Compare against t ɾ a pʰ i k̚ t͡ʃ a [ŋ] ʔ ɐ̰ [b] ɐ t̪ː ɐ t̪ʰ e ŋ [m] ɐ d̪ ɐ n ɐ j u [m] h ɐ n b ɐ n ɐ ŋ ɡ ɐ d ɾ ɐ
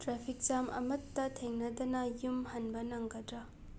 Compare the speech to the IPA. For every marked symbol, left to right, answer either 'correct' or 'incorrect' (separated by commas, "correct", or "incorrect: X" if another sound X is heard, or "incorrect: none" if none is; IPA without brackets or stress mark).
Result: incorrect: m, incorrect: m, incorrect: n, correct